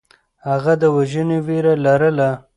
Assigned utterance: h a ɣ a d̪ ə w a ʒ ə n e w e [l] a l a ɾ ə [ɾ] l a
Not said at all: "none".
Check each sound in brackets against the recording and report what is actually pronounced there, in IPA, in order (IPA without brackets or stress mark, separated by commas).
ɾ, none